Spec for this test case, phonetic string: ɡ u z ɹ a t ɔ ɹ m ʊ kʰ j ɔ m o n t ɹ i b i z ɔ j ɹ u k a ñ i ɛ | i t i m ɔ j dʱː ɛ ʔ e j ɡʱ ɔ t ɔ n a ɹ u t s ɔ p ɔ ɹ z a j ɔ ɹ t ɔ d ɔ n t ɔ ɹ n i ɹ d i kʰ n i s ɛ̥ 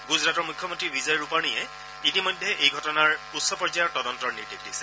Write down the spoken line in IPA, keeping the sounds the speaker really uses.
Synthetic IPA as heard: ɡ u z ɹ a t ɔ ɹ m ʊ kʰ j ɔ m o n t ɹ i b i z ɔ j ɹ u p a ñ i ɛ | i t i m ɔ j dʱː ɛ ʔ e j ɡʱ ɔ t ɔ n a ɹ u t s ɔ p ɔ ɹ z a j ɔ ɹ t ɔ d ɔ n t ɔ ɹ n i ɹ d i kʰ d i s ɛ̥